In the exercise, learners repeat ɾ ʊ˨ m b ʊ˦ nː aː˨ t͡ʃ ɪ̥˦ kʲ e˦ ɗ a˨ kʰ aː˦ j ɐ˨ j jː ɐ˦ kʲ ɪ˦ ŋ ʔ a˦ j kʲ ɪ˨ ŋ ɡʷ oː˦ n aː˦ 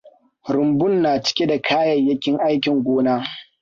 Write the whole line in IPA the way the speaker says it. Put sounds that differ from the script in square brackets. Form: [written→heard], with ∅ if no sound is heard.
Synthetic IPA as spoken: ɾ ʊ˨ m b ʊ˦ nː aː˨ t͡ʃ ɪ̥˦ kʲ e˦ [ɗ→d] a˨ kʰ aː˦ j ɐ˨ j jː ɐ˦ kʲ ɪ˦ ŋ ʔ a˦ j kʲ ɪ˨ ŋ ɡʷ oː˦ n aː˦